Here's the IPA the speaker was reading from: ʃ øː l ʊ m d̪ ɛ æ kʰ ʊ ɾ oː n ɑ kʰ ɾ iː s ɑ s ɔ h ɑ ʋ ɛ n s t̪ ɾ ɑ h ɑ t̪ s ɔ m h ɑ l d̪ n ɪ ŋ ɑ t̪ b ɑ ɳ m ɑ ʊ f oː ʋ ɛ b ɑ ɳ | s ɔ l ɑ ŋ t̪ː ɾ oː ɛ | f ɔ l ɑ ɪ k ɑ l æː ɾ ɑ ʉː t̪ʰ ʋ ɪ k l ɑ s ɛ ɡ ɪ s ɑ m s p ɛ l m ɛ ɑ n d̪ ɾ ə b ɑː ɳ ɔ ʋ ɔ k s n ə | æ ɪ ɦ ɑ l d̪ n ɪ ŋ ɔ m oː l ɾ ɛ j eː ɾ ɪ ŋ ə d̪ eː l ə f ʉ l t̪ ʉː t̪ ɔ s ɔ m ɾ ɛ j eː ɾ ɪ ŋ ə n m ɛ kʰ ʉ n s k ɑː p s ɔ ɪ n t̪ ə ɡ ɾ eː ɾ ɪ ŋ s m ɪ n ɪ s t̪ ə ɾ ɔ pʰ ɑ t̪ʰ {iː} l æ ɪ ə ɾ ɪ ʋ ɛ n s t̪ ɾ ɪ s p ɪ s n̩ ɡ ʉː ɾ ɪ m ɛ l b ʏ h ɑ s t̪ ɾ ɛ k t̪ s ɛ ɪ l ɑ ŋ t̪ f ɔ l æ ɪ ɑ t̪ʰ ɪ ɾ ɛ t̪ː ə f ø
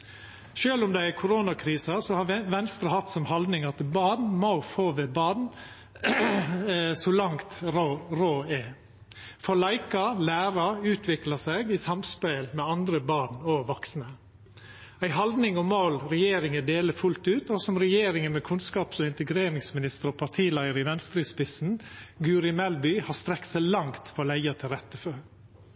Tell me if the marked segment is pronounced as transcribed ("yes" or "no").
yes